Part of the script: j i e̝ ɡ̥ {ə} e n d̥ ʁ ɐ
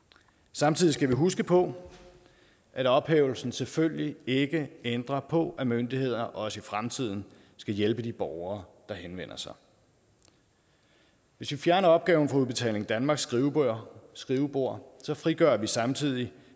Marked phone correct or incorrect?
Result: correct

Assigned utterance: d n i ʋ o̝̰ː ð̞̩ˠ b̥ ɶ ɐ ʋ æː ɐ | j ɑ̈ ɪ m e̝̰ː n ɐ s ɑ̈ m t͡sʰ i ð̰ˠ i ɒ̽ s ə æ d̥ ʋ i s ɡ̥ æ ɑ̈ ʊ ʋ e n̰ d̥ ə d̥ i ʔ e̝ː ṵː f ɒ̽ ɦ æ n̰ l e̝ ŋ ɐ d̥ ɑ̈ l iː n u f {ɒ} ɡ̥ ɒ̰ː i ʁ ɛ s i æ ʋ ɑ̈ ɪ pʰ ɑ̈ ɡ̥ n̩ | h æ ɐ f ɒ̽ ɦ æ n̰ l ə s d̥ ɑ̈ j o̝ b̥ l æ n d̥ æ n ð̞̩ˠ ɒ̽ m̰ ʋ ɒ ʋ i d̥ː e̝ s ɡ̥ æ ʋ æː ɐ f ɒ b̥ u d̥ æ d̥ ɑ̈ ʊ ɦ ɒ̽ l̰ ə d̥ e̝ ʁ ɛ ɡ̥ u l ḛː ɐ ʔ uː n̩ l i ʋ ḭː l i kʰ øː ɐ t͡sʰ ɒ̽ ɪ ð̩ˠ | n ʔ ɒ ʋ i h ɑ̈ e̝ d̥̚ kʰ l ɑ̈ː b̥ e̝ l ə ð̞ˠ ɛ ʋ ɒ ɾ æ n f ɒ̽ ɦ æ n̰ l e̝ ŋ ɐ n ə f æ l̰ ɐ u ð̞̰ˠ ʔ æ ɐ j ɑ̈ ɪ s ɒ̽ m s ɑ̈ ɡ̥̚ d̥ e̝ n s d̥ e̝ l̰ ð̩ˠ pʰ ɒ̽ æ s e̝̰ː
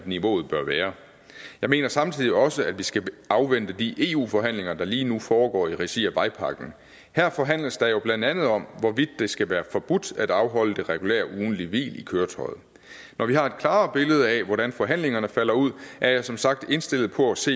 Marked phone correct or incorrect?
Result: incorrect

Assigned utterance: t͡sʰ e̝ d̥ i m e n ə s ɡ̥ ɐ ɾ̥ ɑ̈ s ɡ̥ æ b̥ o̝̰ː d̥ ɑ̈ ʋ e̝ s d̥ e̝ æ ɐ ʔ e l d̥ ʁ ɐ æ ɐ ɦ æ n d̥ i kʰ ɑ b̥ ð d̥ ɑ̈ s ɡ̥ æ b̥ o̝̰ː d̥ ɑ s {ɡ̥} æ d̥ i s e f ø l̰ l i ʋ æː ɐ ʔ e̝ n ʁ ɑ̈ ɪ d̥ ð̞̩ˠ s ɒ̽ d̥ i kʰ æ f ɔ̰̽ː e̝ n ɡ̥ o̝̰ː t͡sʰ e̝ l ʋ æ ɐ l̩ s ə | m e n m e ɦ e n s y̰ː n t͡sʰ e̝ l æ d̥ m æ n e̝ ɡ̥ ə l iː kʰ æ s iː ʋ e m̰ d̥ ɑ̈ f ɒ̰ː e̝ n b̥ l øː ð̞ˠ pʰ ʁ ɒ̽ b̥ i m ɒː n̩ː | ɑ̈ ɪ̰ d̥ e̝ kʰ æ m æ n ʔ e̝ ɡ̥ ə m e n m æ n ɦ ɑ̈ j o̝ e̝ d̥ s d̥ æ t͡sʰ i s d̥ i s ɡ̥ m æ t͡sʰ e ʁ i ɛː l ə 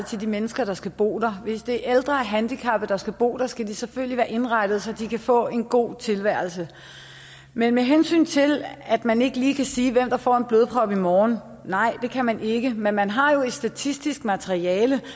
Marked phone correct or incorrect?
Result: correct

